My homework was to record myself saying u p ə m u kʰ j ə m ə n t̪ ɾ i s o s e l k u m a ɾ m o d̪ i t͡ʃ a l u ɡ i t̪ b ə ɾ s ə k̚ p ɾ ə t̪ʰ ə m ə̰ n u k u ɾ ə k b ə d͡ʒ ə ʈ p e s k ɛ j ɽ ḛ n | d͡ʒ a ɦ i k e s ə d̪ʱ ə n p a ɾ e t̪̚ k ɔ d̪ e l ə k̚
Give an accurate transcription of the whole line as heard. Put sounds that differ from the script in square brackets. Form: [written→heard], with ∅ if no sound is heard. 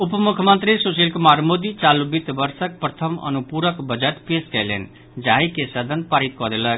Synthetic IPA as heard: u p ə m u kʰ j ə m ə n t̪ ɾ i s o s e l k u m a ɾ m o d̪ i t͡ʃ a l u [ɡ→b] i t̪ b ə ɾ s ə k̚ p ɾ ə t̪ʰ ə m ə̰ n u [k→p] u ɾ ə k b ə d͡ʒ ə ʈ p e s k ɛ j [ɽ→l] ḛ n | d͡ʒ a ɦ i k e s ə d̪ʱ ə n p a ɾ [e→i] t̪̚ k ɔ d̪ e l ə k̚